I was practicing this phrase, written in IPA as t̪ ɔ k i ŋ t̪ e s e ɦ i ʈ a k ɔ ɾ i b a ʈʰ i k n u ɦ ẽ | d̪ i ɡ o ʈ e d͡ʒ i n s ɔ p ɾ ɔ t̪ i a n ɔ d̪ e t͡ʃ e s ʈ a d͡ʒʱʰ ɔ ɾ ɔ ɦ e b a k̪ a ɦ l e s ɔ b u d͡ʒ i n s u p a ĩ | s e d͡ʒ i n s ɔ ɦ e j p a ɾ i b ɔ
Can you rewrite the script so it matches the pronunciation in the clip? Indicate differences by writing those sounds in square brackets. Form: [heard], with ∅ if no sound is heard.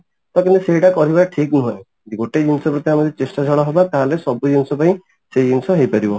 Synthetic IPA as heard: t̪ ɔ k i [n] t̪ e s e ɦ i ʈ a k ɔ ɾ i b a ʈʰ i k n u ɦ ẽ | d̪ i ɡ o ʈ e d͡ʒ i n s ɔ p ɾ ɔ t̪ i a [m] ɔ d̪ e t͡ʃ e s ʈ a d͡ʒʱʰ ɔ [ɭ] ɔ ɦ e b a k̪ a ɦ l e s ɔ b u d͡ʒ i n s [ɔ] p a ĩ | s e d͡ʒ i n s ɔ ɦ e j p a ɾ i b ɔ